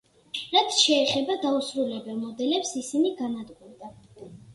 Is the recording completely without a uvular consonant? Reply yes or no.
no